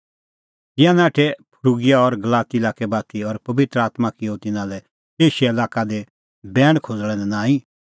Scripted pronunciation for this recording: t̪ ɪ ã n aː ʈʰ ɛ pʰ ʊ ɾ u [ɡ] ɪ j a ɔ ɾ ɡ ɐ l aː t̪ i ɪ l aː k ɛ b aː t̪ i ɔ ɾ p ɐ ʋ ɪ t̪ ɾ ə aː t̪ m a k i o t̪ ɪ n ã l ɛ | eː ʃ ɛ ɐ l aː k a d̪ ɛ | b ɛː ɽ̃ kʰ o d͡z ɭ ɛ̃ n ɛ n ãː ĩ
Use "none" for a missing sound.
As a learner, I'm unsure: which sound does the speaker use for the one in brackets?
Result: ɡ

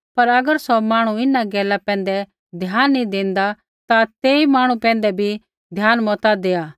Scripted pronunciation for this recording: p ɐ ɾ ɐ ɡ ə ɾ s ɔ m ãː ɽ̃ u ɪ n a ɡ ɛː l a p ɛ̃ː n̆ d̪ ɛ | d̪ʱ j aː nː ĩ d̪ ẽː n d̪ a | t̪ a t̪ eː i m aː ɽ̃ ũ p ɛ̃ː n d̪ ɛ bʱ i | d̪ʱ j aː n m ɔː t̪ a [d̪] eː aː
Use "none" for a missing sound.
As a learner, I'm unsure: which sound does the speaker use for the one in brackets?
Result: d̪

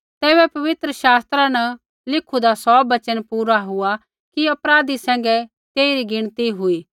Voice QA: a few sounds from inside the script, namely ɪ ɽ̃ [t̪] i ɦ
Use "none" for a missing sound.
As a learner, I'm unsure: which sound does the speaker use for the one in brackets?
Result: t̪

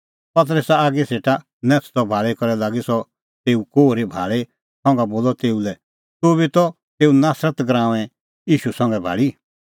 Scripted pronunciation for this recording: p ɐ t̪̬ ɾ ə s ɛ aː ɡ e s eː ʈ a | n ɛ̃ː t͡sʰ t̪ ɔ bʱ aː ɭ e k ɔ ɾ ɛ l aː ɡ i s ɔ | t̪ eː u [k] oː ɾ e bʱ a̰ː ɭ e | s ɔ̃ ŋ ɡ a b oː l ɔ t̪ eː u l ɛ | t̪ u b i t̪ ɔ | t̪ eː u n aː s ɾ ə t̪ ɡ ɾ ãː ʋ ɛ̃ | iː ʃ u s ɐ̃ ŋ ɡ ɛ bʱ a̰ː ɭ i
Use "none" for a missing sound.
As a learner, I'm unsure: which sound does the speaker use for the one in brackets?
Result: k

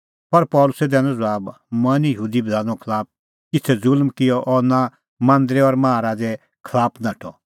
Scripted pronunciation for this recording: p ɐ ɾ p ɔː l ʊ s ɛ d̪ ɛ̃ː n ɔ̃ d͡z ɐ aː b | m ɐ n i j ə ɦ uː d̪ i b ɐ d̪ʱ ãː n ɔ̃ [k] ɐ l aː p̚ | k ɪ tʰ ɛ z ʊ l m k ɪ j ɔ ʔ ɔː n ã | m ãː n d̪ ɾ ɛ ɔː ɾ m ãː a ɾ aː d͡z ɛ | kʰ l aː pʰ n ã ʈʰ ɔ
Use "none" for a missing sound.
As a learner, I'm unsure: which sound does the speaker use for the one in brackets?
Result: kʰ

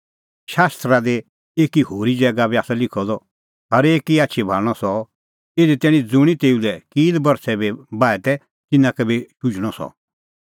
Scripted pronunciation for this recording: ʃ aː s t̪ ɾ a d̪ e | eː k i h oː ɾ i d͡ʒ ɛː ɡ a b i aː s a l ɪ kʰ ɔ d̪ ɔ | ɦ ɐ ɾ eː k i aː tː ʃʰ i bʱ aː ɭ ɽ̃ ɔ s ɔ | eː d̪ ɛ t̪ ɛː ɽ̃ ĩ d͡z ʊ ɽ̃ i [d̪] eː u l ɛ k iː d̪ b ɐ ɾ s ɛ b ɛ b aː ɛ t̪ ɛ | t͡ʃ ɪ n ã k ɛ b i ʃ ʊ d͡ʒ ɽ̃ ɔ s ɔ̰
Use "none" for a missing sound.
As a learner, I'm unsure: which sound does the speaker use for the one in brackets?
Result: t̪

